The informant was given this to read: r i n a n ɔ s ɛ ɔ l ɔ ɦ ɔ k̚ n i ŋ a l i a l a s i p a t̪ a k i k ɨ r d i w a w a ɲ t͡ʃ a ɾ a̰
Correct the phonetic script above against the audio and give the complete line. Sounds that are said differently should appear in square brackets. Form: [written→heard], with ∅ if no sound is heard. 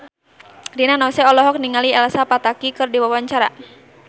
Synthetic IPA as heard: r i n a n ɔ s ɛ ɔ l ɔ ɦ ɔ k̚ n i ŋ a l i [a→ɛ] l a s [i→a] p a t̪ a k i k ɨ r d i w a w a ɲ t͡ʃ a ɾ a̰